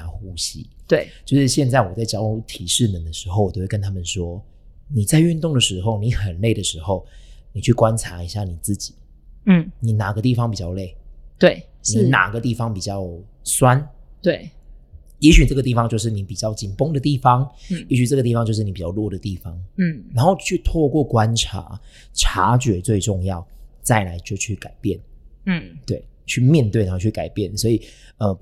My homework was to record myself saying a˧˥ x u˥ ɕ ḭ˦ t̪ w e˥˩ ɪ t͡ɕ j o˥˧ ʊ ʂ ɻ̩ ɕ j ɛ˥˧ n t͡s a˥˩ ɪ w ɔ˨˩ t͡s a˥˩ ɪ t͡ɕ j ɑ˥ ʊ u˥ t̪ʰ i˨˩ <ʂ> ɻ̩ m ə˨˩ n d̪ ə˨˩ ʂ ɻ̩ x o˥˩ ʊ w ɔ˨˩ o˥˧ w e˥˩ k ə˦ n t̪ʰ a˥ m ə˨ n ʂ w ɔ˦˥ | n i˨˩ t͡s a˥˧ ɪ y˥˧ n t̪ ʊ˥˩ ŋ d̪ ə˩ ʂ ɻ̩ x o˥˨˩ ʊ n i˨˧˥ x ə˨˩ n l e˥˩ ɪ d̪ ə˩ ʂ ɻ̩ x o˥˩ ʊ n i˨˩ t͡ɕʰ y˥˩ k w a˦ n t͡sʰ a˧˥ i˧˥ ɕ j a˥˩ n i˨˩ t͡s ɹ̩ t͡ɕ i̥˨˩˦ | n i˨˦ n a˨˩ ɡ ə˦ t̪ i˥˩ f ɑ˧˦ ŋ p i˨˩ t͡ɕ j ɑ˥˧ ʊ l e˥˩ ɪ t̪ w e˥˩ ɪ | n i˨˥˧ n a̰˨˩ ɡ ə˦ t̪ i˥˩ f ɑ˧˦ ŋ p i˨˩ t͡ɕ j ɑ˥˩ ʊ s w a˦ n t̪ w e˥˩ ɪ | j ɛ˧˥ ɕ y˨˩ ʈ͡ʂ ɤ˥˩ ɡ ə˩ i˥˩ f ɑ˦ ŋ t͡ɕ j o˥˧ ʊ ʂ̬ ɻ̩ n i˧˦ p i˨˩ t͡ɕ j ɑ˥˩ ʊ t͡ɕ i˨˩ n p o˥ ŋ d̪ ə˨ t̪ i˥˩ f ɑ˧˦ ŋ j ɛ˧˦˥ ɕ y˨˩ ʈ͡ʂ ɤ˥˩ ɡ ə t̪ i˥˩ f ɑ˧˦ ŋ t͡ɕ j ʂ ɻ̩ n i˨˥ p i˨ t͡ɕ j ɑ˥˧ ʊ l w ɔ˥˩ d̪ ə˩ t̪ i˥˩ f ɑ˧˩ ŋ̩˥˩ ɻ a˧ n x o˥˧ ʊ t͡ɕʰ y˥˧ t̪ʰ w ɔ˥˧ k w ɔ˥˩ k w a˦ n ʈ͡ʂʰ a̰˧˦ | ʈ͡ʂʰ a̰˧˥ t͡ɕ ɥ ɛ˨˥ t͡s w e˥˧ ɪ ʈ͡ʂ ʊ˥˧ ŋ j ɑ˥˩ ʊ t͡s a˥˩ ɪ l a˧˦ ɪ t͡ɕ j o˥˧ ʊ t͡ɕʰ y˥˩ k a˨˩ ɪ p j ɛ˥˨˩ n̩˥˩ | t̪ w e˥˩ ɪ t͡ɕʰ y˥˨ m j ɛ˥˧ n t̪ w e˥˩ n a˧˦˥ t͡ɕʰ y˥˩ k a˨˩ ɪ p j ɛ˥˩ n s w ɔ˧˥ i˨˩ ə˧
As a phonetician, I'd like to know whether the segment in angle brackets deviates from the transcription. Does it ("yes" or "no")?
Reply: no